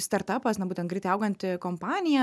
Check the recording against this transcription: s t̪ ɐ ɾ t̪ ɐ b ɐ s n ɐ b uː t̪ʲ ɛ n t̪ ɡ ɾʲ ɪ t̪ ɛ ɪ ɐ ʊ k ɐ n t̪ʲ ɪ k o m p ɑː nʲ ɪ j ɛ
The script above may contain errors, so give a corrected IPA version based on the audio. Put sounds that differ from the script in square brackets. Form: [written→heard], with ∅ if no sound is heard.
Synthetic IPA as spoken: s t̪ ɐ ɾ t̪ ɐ [b→p] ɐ s n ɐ b uː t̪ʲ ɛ n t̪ ɡ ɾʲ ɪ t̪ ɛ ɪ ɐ ʊ [k→ɡ] ɐ n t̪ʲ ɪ k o m p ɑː nʲ ɪ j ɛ